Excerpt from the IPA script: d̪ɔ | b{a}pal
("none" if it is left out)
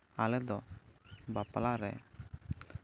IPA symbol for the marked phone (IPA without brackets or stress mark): a